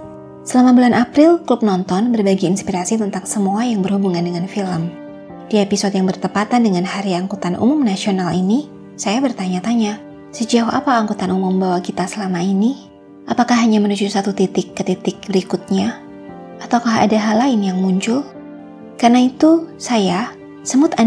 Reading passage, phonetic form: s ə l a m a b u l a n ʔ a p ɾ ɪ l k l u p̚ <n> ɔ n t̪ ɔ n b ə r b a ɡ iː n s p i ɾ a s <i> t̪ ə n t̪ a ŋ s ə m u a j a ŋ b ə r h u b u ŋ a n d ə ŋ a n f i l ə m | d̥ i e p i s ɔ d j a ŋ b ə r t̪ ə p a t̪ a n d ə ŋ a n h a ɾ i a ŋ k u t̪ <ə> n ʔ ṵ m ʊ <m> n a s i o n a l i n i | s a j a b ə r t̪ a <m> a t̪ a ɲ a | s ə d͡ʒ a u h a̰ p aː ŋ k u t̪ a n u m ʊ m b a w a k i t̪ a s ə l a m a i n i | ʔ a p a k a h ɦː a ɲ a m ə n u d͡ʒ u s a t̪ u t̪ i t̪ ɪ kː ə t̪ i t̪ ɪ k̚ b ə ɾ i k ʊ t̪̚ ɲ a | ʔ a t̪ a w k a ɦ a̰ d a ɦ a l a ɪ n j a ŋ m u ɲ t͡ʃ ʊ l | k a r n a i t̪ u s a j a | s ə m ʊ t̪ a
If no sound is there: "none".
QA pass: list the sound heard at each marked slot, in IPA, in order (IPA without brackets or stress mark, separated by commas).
n, i, a, m, ɲ